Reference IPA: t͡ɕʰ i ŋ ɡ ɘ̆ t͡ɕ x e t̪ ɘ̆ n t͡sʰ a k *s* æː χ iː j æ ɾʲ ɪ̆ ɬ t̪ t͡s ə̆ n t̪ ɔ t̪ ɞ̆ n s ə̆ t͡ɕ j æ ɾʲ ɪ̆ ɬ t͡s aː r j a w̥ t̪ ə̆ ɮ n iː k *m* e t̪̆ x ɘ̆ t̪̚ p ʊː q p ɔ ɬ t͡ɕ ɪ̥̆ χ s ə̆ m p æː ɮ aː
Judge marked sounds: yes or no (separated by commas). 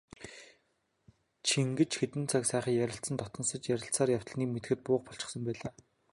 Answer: yes, yes